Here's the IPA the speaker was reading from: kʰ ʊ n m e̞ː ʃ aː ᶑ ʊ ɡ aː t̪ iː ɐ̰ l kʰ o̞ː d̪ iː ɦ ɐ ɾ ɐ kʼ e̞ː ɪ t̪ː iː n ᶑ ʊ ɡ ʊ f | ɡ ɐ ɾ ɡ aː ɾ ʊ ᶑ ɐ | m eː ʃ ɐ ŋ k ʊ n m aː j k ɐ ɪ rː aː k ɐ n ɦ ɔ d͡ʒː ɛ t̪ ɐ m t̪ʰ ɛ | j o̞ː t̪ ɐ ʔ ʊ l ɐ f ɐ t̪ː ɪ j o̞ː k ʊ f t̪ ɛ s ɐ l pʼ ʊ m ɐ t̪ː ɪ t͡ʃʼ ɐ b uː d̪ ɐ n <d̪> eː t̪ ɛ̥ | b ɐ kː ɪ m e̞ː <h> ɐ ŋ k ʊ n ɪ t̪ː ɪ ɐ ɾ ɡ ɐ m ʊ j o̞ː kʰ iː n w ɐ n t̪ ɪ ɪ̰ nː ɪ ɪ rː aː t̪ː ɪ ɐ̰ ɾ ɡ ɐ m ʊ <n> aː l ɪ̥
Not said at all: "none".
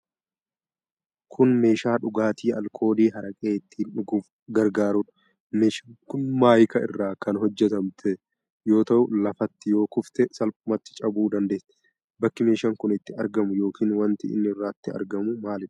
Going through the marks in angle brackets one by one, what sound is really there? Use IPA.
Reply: d̪, ʃ, m

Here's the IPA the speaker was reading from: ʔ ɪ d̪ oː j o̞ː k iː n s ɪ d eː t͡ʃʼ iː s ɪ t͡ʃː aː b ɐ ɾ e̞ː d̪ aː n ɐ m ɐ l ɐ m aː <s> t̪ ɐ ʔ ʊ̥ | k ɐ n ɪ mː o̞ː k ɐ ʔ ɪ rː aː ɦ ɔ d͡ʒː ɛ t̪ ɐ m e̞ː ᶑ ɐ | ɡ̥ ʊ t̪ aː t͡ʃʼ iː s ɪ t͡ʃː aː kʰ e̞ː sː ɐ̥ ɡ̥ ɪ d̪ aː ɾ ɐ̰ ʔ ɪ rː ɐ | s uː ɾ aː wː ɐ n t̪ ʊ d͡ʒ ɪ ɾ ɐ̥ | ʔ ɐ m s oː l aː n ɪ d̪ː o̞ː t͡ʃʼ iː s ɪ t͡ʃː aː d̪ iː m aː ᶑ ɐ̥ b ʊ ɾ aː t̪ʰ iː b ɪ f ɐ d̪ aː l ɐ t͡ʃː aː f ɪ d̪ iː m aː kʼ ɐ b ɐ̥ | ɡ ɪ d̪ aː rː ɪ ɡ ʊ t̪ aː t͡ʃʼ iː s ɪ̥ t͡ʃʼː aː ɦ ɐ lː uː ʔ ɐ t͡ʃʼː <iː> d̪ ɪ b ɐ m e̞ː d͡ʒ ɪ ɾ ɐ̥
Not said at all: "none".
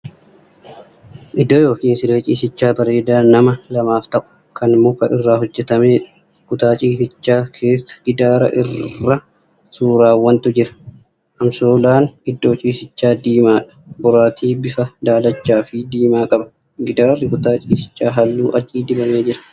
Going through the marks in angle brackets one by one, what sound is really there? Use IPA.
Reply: f, iː

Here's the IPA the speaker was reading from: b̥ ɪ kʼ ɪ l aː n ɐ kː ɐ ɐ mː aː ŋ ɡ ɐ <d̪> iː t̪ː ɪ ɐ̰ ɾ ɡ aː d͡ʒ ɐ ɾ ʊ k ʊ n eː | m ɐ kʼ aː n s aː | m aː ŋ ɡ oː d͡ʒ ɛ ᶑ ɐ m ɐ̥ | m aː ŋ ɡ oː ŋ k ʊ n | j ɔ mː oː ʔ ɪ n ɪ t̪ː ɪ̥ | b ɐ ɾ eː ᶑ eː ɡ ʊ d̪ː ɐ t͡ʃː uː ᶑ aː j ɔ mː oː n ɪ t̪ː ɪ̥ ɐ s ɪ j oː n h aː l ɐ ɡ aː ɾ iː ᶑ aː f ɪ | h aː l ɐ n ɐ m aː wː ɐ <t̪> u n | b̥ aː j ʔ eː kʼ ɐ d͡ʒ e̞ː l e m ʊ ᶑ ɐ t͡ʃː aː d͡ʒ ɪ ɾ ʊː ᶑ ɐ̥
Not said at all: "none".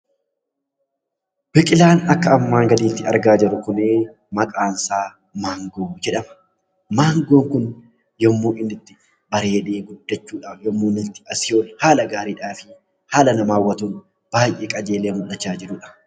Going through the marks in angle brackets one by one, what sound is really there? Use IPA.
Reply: d̪, t̪

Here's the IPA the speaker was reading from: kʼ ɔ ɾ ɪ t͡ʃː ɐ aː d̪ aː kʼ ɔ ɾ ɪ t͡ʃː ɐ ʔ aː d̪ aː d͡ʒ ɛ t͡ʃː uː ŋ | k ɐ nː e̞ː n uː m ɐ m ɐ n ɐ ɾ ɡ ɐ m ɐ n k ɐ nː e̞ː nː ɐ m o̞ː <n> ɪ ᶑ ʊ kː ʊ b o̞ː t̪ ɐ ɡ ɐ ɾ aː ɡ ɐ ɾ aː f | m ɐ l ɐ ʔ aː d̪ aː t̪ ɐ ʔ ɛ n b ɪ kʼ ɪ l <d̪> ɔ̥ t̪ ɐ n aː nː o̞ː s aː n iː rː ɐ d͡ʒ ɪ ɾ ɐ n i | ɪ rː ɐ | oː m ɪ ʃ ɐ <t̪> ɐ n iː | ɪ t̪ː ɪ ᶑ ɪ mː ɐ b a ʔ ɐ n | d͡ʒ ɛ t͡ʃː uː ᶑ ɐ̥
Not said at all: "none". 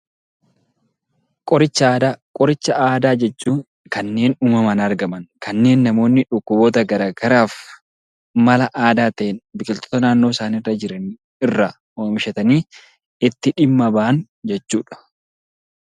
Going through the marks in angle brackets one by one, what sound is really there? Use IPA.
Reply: nː, t̪, t̪

